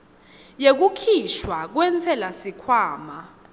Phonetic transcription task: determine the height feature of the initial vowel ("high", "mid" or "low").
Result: mid